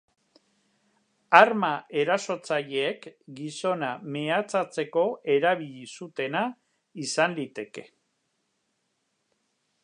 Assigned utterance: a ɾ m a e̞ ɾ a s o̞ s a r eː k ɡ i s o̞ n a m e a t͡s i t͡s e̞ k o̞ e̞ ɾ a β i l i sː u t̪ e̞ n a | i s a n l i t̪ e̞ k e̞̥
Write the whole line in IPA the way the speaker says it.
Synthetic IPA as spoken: a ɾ m a e̞ ɾ a s o̞ t͡s a ʎ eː k ɡ i s o̞ n a m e a t͡s a t͡s e̞ k o̞ e̞ ɾ a β i ʎ i s u t̪ e̞ n a | i s a n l i t̪ e̞ k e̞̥